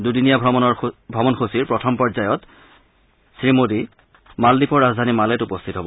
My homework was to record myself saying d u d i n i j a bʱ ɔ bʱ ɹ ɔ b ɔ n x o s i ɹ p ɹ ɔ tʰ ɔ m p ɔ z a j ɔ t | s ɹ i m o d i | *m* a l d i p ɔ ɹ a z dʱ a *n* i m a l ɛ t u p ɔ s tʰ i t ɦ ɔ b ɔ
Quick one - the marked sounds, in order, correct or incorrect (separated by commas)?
correct, correct